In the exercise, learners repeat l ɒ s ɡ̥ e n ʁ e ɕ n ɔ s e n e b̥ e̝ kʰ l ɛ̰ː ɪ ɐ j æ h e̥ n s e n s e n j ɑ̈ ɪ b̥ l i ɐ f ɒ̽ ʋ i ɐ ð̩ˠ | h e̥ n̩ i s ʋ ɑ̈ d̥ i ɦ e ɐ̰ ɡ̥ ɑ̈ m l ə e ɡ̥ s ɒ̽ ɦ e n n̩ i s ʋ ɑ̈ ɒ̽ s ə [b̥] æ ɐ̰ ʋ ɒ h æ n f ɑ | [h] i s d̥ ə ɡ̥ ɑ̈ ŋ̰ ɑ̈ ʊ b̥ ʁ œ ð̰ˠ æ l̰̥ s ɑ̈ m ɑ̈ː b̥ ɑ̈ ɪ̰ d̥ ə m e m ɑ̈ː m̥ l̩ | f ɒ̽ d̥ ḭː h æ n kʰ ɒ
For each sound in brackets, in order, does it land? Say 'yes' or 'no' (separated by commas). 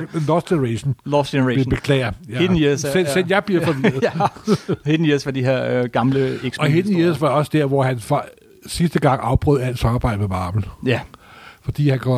no, no